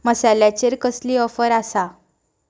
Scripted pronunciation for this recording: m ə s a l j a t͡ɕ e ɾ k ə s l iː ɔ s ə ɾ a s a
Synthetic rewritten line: m ə s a l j a t͡ɕ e ɾ k ə s l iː ɔ f ə ɾ a s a